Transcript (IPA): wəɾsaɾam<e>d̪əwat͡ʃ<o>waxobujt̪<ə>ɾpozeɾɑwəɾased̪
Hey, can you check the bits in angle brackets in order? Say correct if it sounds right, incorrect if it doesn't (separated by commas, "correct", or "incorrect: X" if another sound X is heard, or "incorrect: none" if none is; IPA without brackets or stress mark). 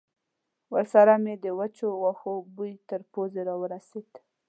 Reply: correct, correct, correct